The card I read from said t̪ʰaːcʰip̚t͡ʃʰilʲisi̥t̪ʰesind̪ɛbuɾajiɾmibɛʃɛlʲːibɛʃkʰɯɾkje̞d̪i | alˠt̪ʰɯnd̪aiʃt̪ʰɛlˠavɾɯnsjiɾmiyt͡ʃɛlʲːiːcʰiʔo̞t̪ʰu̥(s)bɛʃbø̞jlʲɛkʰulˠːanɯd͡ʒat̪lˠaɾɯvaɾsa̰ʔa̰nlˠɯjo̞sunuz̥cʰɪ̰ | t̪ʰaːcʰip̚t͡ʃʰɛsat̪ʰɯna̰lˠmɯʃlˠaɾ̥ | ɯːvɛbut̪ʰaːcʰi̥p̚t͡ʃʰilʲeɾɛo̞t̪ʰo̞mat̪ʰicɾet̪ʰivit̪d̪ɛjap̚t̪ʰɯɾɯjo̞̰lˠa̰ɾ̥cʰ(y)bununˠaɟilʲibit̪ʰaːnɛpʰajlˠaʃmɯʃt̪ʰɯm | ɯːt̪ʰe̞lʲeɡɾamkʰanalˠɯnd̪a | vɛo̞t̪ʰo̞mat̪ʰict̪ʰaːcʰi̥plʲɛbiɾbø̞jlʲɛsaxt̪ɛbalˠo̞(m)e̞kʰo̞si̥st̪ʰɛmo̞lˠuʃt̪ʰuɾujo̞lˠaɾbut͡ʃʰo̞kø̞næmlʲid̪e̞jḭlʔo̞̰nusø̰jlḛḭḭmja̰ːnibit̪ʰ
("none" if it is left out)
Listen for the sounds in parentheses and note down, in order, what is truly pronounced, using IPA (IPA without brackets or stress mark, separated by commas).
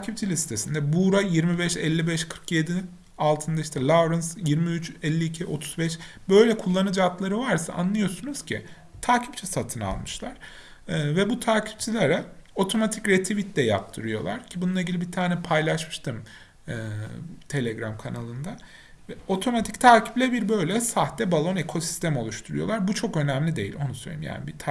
z, i, n